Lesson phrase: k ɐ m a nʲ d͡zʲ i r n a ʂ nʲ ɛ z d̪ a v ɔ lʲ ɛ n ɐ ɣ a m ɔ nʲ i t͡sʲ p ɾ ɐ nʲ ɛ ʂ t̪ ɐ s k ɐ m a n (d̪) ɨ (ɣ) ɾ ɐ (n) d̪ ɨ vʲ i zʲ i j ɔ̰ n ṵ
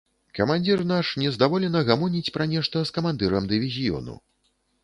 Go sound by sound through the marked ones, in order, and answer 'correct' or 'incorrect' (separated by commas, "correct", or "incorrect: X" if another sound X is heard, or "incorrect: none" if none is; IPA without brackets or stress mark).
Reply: correct, incorrect: none, incorrect: m